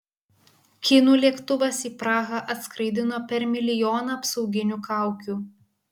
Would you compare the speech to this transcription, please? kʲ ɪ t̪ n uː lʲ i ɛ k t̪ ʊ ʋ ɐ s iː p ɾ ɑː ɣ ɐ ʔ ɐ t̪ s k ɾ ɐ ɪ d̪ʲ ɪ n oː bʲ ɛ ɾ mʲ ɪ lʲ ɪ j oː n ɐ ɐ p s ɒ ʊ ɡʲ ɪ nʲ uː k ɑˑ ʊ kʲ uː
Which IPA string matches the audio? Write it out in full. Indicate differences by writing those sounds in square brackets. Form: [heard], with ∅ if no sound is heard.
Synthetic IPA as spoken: kʲ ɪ [∅] n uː lʲ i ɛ k t̪ ʊ ʋ ɐ s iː p ɾ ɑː ɣ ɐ ʔ ɐ t̪ s k ɾ ɐ ɪ d̪ʲ ɪ n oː [pʲ] ɛ ɾ mʲ ɪ lʲ ɪ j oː n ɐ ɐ p s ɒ ʊ ɡʲ ɪ nʲ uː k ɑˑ ʊ kʲ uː